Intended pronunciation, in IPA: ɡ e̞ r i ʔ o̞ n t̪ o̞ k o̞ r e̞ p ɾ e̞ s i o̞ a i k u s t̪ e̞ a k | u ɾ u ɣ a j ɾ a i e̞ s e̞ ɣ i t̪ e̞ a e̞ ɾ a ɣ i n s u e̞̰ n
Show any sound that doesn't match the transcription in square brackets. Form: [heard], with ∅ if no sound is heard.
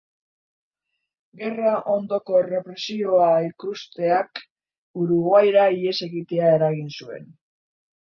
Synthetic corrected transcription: ɡ e̞ r [a] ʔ o̞ n [d̪] o̞ k o̞ r e̞ p ɾ e̞ s i o̞ a i k u s t̪ e̞ a k | u ɾ u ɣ a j ɾ a i e̞ s e̞ ɣ i t̪ e̞ a e̞ ɾ a ɣ i n s u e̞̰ n